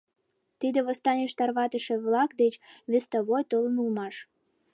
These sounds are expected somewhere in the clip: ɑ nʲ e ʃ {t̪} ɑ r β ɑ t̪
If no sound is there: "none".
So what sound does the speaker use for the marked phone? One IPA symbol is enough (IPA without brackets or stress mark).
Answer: t̪